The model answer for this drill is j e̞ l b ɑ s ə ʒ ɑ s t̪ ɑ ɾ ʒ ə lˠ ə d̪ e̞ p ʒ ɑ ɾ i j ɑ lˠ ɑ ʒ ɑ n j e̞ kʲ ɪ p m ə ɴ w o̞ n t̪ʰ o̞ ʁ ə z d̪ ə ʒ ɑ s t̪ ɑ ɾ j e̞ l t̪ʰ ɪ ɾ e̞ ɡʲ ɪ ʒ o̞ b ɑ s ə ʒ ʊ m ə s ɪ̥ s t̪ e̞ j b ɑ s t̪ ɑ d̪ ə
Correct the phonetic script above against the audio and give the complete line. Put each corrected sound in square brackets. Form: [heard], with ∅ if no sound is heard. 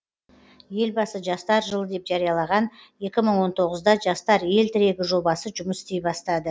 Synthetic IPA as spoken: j e̞ l b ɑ s ə ʒ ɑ s t̪ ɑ ɾ ʒ ə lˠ ə d̪ e̞ p ʒ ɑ ɾ i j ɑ lˠ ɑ [ʁ] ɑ n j e̞ kʲ ɪ [∅] m ə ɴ w o̞ n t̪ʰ o̞ ʁ ə z d̪ [ɑ] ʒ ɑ s t̪ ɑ ɾ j e̞ l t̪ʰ ɪ ɾ e̞ ɡʲ ɪ ʒ o̞ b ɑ s ə ʒ ʊ m ə s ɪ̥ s t̪ e̞ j b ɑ s t̪ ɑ d̪ ə

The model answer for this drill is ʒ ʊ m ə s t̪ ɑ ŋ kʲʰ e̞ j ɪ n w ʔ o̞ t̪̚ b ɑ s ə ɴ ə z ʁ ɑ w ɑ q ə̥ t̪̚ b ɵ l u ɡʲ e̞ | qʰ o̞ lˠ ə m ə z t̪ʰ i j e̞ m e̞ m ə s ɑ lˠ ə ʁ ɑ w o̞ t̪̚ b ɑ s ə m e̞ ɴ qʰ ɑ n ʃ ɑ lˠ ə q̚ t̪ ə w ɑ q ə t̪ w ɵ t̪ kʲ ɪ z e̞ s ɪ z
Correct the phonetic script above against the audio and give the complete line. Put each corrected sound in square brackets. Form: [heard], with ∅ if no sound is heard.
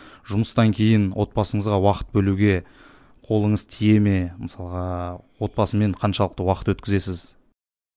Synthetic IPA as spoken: ʒ ʊ m ə s t̪ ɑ ŋ kʲʰ e̞ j ɪ n w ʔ o̞ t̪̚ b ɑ s ə ɴ ə z ʁ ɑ w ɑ q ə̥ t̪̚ b ɵ l u ɡʲ e̞ | qʰ o̞ lˠ ə [ɴ] ə z t̪ʰ i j e̞ m e̞ m ə s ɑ lˠ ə ʁ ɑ w o̞ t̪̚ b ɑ s ə m e̞ ɴ qʰ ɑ n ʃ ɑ lˠ ə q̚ t̪ ə w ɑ q ə t̪ w ɵ t̪ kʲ ɪ z e̞ s ɪ z

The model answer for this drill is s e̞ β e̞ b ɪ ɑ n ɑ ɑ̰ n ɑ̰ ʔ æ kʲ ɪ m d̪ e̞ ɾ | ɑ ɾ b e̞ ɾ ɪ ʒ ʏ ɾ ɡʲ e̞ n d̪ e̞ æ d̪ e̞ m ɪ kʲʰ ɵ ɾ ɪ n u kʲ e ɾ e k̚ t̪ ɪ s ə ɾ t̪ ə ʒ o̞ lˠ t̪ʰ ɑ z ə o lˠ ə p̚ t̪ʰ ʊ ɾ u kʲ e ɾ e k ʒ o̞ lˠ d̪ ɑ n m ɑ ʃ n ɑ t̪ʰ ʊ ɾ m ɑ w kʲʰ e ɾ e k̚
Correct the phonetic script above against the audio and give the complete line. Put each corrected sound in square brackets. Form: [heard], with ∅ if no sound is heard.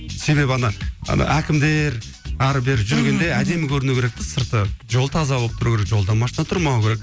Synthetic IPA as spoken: s e̞ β e̞ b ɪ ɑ n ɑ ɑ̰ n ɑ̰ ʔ æ kʲ ɪ m d̪ e̞ ɾ | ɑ ɾ b e̞ ɾ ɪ ʒ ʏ ɾ ɡʲ e̞ n d̪ e̞ æ d̪ e̞ m ɪ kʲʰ ɵ ɾ ɪ n u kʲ e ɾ e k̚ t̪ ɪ s ə ɾ t̪ ə ʒ o̞ lˠ t̪ʰ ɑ z [ɑ] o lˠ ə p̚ t̪ʰ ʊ ɾ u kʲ e ɾ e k ʒ o̞ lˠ d̪ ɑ n m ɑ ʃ n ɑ t̪ʰ ʊ ɾ m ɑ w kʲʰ e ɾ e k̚

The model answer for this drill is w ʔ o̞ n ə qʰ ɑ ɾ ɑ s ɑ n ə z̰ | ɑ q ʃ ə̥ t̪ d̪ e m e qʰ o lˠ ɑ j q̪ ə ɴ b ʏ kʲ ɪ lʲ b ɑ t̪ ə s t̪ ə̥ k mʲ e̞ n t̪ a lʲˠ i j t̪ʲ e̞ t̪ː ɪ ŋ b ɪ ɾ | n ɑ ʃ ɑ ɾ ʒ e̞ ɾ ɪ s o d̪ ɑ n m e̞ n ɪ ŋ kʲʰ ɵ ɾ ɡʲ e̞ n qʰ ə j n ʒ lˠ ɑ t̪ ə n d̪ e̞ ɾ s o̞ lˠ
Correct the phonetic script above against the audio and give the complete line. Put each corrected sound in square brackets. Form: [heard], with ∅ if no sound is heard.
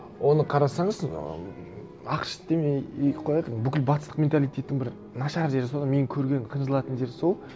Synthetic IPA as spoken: w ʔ o̞ n ə qʰ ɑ ɾ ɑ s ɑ [ɴ] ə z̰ | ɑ q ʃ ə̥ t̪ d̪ e m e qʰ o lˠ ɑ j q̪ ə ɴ b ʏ kʲ ɪ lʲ b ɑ t̪ ə s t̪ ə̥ [q] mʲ e̞ n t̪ a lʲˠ i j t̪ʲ e̞ t̪ː ɪ ŋ b ɪ ɾ | n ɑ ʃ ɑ ɾ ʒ e̞ ɾ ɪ s o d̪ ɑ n m e̞ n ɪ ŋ kʲʰ ɵ ɾ ɡʲ e̞ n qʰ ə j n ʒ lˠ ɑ t̪ ə n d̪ e̞ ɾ s o̞ lˠ

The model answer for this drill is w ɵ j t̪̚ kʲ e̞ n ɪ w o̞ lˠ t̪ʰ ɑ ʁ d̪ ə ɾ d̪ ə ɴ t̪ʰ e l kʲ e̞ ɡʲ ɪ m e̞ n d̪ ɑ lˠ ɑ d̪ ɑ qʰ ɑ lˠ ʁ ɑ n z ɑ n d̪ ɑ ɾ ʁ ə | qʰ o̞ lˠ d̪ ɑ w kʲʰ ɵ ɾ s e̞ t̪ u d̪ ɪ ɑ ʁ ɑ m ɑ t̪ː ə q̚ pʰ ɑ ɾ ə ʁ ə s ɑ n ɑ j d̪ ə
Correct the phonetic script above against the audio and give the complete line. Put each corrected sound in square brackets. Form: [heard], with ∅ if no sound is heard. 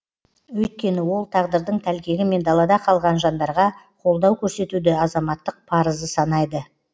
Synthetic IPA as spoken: w ɵ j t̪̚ kʲ e̞ n ɪ w o̞ lˠ t̪ʰ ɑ ʁ d̪ ə ɾ d̪ ə ɴ t̪ʰ [æ] l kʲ e̞ ɡʲ ɪ m e̞ n d̪ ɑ lˠ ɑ d̪ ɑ qʰ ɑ lˠ ʁ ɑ n [ʒ] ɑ n d̪ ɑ ɾ ʁ [ɑ] | qʰ o̞ lˠ d̪ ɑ w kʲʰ ɵ ɾ s e̞ t̪ u d̪ ɪ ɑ [z] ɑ m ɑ t̪ː ə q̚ pʰ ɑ ɾ ə [z] ə s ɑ n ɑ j d̪ ə

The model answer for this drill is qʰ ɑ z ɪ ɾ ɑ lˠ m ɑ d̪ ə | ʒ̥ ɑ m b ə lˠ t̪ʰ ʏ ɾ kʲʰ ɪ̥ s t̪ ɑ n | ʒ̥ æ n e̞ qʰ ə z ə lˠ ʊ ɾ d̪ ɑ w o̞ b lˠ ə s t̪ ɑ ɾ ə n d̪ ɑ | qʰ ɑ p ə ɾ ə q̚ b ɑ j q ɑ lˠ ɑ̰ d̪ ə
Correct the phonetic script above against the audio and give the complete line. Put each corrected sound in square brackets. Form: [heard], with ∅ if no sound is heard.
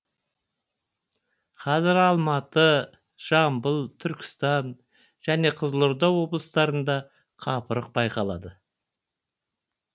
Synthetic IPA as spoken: qʰ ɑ z ɪ ɾ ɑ lˠ m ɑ [t̪] ə | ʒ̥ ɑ m b ə lˠ t̪ʰ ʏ ɾ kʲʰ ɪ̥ s t̪ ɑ n | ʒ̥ æ n e̞ qʰ ə z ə lˠ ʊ ɾ d̪ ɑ w o̞ b lˠ ə s t̪ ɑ ɾ ə n d̪ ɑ | qʰ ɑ p ə ɾ ə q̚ b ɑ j q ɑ lˠ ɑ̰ d̪ ə

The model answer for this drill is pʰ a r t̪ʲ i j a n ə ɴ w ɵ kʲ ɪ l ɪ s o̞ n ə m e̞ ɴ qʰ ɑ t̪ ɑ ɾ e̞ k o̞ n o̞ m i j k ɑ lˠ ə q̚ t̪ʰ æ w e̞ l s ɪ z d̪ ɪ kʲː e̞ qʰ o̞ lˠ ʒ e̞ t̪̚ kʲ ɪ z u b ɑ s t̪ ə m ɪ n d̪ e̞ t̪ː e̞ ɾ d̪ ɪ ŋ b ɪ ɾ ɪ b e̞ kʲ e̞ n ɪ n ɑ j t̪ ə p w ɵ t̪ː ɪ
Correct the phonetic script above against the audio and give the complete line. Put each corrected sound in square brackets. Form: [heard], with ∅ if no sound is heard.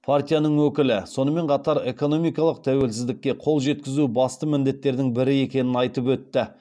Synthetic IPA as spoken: pʰ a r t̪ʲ i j a n ə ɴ w ɵ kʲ ɪ l ɪ s o̞ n ə m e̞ ɴ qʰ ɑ t̪ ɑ ɾ e̞ k o̞ n o̞ m i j k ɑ lˠ ə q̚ t̪ʰ æ w e̞ l s ɪ z d̪ ɪ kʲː e̞ qʰ o̞ lˠ ʒ e̞ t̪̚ kʲ ɪ z u b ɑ s t̪ ə m ɪ n d̪ e̞ t̪ː e̞ ɾ d̪ ɪ ŋ b ɪ ɾ ɪ [∅] e̞ kʲ e̞ n ɪ n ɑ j t̪ ə p w ɵ t̪ː ɪ

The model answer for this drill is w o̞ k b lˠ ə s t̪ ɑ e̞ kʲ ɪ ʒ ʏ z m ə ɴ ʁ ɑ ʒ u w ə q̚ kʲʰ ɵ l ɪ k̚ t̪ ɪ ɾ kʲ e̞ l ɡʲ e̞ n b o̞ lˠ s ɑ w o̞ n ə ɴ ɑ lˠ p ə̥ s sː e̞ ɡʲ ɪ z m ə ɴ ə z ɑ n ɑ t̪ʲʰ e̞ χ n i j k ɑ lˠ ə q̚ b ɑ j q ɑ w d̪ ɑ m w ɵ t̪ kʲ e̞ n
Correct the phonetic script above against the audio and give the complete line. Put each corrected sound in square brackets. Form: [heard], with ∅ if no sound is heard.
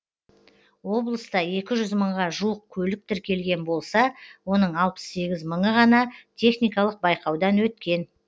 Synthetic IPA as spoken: w o̞ [∅] b lˠ ə s t̪ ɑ e̞ kʲ ɪ ʒ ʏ z m ə ɴ ʁ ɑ ʒ u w ə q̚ kʲʰ ɵ l ɪ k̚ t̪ ɪ ɾ kʲ e̞ l ɡʲ e̞ n b o̞ lˠ s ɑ w o̞ n ə ɴ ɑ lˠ p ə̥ s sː e̞ ɡʲ ɪ z m ə ɴ ə [ʁ] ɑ n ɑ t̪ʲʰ e̞ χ n i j k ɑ lˠ ə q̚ b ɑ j q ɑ w d̪ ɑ [n] w ɵ t̪ kʲ e̞ n

